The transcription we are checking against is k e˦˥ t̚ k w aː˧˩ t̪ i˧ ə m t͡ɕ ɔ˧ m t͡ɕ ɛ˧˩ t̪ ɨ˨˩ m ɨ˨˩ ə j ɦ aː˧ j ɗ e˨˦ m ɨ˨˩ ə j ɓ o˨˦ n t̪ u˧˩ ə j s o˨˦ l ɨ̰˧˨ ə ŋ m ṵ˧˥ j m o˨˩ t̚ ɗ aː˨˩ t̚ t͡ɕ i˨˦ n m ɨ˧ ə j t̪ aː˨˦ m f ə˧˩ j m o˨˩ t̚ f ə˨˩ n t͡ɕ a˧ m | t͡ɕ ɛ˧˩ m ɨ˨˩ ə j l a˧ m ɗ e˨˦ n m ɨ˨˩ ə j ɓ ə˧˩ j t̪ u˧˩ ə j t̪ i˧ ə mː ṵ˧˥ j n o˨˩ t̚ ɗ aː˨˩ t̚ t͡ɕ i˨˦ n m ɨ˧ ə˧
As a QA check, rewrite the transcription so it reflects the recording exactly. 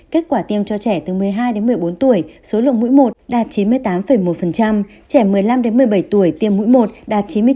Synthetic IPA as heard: k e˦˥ t̚ k w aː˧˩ t̪ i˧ ə m t͡ɕ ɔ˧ t͡ɕ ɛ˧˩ t̪ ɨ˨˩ m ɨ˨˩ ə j ɦ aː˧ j ɗ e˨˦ m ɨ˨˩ ə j ɓ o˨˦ n t̪ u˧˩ ə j s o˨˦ l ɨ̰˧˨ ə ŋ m ṵ˧˥ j m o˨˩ t̚ ɗ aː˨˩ t̚ t͡ɕ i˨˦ n m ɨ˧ ə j t̪ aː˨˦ m f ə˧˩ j m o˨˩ t̚ f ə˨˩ n t͡ɕ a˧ m | t͡ɕ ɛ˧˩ m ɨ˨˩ ə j l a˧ m ɗ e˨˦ n m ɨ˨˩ ə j ɓ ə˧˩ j t̪ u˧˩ ə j t̪ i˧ ə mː ṵ˧˥ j m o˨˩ t̚ ɗ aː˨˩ t̚ t͡ɕ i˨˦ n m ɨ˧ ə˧